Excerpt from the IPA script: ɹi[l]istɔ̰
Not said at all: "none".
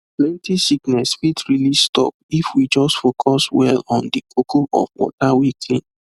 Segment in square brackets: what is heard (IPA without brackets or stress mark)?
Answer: l